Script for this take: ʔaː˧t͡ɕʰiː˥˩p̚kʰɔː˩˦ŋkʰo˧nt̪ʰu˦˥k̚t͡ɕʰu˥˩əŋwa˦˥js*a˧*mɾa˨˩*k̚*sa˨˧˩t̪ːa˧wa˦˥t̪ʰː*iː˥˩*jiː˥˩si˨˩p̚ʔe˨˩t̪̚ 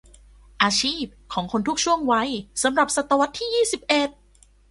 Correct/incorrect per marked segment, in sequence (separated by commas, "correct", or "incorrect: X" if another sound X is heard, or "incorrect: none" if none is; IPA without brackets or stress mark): incorrect: a˩˦, incorrect: p̚, correct